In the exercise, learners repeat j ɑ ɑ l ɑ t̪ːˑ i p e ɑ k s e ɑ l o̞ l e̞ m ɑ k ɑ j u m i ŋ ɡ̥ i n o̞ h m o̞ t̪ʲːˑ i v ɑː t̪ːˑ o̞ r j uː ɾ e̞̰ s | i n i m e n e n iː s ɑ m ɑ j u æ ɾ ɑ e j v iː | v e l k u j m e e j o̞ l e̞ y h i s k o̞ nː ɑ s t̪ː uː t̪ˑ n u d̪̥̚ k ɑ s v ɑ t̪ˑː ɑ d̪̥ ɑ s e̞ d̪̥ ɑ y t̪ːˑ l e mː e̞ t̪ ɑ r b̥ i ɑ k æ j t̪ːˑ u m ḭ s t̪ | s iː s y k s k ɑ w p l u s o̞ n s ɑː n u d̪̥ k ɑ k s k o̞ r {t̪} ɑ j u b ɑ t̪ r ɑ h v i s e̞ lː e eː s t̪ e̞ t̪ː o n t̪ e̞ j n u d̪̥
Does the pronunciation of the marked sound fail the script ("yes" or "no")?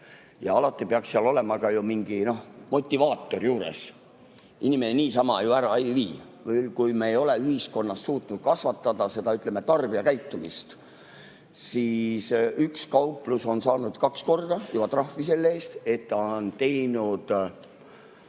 yes